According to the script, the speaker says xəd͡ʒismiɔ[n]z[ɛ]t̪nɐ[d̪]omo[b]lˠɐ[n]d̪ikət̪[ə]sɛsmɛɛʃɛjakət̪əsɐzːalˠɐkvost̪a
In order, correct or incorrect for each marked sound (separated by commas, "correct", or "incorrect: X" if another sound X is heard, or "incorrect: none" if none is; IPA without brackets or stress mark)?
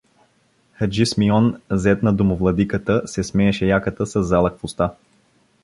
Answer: correct, correct, correct, incorrect: v, incorrect: none, correct